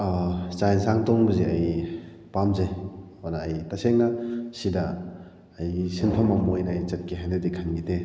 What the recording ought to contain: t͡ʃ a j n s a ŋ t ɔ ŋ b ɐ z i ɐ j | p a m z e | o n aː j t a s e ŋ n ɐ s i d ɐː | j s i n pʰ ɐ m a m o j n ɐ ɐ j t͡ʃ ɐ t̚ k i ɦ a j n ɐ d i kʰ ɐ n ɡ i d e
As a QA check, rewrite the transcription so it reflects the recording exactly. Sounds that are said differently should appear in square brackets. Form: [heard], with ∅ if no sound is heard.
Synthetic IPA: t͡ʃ a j n s a ŋ t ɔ ŋ b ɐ z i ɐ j | p a m z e | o n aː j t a s e ŋ n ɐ s i d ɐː | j s i n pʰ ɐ m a m o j n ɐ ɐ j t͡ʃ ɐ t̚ k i ɦ a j n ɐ d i kʰ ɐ n ɡ i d e